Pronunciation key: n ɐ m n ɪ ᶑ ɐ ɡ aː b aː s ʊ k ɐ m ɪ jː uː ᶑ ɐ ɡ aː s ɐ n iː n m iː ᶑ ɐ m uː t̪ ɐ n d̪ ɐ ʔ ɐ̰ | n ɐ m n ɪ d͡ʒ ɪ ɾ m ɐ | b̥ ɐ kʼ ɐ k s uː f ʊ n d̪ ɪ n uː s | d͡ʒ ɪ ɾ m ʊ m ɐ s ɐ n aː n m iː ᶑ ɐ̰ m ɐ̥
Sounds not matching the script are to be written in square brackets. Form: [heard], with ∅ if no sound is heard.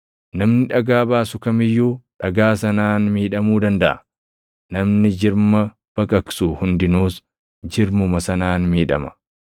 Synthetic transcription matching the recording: n ɐ m n ɪ ᶑ ɐ ɡ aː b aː s ʊ k ɐ m ɪ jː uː ᶑ ɐ ɡ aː s ɐ n [aː] n m iː ᶑ ɐ m uː [d̪] ɐ n d̪ ɐ ʔ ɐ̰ | n ɐ m n ɪ d͡ʒ ɪ ɾ m ɐ | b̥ ɐ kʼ ɐ k s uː [h] ʊ n d̪ ɪ n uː s | d͡ʒ ɪ ɾ m ʊ m ɐ s ɐ n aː n m iː ᶑ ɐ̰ m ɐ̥